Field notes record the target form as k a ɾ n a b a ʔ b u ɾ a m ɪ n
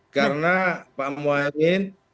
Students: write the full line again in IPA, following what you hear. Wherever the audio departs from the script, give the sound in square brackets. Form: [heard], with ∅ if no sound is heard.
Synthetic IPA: k a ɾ n a [p] a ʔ [m] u [∅] a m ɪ n